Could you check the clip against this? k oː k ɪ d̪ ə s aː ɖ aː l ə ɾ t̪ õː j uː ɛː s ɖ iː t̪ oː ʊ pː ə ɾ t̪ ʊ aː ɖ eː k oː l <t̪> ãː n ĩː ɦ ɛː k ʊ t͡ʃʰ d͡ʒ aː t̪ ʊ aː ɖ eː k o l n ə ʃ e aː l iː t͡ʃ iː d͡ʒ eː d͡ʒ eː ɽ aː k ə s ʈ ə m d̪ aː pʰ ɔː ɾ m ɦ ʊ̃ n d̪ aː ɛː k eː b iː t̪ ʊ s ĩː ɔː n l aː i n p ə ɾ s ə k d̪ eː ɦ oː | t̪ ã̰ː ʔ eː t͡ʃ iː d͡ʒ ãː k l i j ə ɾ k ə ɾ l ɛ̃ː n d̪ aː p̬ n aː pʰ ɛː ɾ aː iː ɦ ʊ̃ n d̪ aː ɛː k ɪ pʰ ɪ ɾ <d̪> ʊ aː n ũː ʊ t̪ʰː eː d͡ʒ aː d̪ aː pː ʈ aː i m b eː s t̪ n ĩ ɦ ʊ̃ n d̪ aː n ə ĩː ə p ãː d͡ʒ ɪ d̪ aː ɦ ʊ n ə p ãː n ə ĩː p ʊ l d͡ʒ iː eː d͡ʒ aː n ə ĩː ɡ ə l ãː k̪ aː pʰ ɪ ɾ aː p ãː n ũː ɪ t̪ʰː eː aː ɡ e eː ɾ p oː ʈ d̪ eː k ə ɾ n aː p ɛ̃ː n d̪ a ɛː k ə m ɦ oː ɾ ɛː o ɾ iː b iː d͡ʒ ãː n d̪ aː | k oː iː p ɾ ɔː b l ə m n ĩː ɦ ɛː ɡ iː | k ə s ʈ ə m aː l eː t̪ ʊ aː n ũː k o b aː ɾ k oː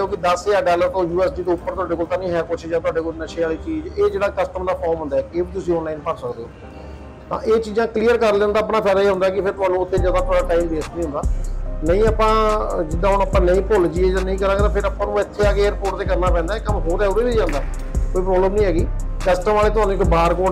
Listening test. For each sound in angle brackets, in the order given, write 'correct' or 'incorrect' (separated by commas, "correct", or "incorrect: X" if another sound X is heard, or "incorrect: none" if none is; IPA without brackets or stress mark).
correct, incorrect: t̪